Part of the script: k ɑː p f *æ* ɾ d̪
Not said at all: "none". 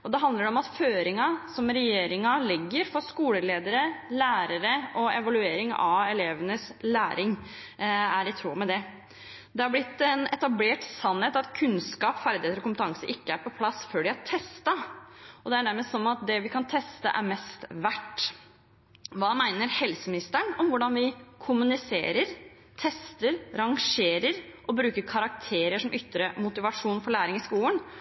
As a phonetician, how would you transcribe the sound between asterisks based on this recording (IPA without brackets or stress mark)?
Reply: æ